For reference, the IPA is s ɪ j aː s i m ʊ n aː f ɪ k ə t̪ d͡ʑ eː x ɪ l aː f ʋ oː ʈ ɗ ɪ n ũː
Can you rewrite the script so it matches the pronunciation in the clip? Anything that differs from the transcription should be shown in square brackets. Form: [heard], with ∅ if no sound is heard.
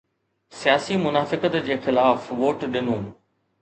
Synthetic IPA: s [i] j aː s i m ʊ n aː f ɪ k ə t̪ d͡ʑ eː x ɪ l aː f ʋ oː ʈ ɗ ɪ n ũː